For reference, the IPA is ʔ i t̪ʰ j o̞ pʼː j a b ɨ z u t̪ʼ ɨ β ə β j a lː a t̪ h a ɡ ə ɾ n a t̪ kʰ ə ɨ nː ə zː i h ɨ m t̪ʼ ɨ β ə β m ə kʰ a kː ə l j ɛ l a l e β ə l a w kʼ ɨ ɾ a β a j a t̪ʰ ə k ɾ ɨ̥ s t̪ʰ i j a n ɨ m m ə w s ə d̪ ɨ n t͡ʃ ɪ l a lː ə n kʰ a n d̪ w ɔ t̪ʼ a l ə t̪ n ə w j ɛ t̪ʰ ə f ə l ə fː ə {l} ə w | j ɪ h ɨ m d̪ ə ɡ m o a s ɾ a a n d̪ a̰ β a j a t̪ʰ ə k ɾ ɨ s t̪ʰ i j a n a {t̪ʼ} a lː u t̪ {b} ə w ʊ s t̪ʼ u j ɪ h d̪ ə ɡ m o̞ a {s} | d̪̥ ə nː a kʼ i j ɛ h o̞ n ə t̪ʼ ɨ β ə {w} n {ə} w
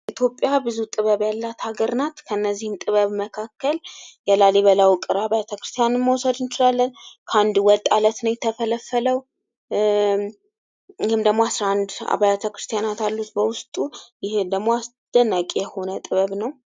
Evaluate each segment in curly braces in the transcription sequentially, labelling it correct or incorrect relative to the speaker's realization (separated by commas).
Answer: correct, incorrect, correct, correct, incorrect, correct